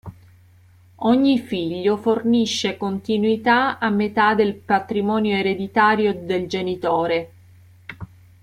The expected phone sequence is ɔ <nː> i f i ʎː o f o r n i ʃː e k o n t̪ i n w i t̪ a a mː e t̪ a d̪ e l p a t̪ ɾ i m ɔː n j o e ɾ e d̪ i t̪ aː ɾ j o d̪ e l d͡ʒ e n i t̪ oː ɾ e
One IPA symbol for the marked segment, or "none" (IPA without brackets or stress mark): ɲː